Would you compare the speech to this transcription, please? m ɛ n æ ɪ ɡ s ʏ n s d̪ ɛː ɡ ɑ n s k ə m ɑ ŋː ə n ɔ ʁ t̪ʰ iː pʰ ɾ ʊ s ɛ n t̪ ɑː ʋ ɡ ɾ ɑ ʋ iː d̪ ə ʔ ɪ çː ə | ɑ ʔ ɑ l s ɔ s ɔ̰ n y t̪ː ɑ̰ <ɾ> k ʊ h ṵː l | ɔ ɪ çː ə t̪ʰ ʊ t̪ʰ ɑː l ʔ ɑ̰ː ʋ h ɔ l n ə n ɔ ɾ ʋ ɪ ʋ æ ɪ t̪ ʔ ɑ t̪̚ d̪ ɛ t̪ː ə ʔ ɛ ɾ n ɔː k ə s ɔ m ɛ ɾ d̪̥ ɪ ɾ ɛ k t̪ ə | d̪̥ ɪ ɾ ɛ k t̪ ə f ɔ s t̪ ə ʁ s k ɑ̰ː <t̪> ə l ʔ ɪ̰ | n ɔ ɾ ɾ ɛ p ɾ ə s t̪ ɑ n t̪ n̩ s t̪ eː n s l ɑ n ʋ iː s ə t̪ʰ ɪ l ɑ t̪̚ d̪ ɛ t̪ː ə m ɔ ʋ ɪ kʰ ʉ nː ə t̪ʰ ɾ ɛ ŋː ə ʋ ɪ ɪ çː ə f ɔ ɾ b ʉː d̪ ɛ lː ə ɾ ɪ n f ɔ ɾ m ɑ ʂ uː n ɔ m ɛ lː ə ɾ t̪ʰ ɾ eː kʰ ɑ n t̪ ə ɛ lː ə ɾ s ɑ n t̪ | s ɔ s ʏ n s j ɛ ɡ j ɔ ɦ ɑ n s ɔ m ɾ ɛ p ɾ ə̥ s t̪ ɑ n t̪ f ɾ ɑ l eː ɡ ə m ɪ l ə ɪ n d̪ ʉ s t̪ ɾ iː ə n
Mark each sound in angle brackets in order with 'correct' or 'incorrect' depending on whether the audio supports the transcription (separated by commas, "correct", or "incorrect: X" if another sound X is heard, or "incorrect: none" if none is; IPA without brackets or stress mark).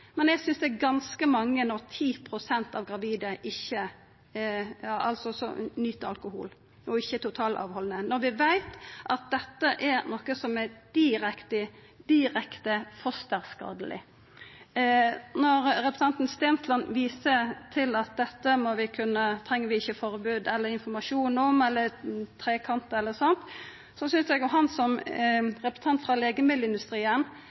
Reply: incorrect: l, incorrect: d̪